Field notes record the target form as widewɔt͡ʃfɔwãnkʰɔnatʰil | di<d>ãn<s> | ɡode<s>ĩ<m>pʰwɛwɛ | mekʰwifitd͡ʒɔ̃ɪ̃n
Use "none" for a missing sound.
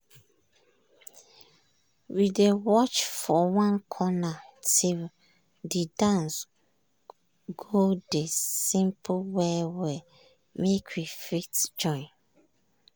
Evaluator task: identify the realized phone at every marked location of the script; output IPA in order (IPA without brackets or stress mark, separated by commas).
d, s, s, m